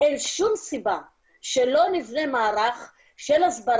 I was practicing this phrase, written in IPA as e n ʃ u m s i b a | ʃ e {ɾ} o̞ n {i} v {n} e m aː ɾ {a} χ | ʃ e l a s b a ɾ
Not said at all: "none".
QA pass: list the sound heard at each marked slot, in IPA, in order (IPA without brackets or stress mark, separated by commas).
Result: l, i, n, a